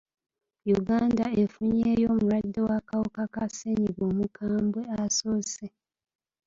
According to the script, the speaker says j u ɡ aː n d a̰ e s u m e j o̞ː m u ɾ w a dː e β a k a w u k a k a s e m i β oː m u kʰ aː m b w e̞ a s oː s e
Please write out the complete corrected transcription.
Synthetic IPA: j u ɡ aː n d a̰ e f u ɲ e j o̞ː m u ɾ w a dː e w a k a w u k a k a s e ɲ i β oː m u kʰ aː m b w e̞ a s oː s e